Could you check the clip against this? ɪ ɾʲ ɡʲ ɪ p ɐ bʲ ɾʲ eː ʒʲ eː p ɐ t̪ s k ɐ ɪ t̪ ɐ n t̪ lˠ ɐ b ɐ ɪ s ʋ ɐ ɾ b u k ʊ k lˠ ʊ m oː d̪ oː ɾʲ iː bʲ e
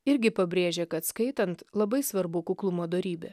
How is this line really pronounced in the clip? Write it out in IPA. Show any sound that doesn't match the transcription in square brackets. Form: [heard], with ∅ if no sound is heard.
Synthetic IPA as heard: ɪ ɾʲ ɡʲ ɪ p ɐ bʲ ɾʲ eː ʒʲ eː [k] ɐ t̪ s k ɐ ɪ t̪ ɐ n t̪ lˠ ɐ b ɐ ɪ s ʋ ɐ ɾ b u k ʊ k lˠ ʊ m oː d̪ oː ɾʲ iː bʲ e